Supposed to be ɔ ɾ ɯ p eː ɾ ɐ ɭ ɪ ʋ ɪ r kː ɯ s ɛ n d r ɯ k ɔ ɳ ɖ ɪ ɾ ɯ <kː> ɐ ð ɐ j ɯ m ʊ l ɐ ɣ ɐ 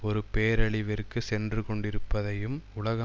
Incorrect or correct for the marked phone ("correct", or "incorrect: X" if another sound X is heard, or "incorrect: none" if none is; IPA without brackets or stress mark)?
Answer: incorrect: pː